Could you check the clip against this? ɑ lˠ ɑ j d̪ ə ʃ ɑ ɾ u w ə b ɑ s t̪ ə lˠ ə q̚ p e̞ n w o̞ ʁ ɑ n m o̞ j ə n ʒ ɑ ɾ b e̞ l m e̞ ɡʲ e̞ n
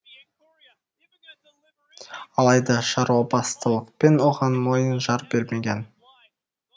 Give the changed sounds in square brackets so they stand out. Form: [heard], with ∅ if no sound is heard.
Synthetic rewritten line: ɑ lˠ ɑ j d̪ [ɑ] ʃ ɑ ɾ u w [ɑ] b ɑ s t̪ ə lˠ ə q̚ p e̞ n w o̞ ʁ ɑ n m o̞ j ə n ʒ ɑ ɾ b e̞ [ɾ] m e̞ ɡʲ e̞ n